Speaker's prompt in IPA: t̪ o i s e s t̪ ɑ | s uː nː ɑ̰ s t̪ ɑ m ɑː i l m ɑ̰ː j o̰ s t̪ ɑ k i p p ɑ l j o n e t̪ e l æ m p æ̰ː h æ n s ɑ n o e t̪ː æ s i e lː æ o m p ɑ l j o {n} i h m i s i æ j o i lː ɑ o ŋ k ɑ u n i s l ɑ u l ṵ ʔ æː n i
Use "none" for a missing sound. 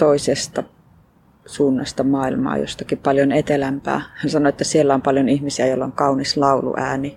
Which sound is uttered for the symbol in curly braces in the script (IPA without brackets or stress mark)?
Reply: n